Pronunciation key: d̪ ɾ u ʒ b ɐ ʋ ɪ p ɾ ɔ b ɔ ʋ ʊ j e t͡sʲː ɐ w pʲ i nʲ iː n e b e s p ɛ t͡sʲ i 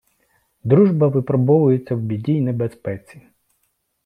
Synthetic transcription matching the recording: d̪ ɾ u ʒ b ɐ ʋ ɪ p ɾ ɔ b ɔ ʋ ʊ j e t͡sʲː ɐ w bʲ i dʲ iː n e b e s p ɛ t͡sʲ i